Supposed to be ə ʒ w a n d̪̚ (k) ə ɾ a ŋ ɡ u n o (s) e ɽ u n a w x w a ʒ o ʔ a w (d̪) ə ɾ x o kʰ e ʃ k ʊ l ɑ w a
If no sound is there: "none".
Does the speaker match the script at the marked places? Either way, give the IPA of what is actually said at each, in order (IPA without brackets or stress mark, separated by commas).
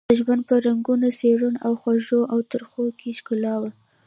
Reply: p, s, t̪